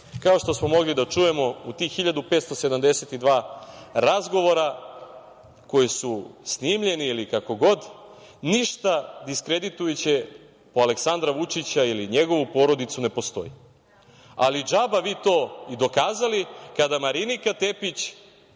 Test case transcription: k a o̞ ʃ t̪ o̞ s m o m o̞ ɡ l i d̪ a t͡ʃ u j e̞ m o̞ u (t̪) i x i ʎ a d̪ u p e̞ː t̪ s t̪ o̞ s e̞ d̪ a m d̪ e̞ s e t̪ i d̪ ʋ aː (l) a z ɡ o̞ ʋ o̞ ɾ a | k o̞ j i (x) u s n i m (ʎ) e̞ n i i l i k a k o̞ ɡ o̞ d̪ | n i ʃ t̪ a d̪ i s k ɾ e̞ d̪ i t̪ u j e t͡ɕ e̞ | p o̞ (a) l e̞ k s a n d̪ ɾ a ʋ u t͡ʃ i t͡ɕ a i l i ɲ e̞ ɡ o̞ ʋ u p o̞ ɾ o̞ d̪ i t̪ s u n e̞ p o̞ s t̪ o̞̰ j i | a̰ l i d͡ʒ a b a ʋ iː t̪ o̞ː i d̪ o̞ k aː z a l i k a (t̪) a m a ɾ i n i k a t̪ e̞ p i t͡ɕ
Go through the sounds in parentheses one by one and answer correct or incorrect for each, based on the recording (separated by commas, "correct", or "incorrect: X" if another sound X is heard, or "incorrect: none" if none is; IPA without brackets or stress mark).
correct, incorrect: ɾ, incorrect: s, correct, correct, incorrect: d̪